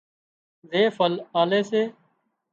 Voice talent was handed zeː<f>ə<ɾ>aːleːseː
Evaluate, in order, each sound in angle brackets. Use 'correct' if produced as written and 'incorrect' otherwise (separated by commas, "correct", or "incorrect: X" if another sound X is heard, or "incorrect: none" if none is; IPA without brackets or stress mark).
correct, incorrect: l